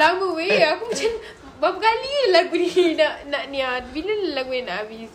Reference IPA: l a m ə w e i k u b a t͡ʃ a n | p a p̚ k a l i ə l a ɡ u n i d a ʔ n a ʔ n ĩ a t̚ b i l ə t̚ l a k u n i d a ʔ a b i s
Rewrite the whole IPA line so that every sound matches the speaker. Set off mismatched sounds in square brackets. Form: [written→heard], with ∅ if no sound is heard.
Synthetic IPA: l a m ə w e [i→a] k u [b→m] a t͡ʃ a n | [p→b] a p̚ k a l i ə l a ɡ u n i [d→n] a ʔ n a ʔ n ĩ a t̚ b i l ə [t̚→∅] l a [k→ɡ] u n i [d→n] a ʔ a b i s